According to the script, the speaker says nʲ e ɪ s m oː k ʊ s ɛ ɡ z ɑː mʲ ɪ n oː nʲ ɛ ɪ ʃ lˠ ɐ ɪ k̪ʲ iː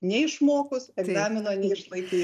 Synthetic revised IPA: nʲ ɛ ɪ ʃ m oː k ʊ s ɛ ɡ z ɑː mʲ ɪ n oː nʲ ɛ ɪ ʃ lˠ ɐ ɪ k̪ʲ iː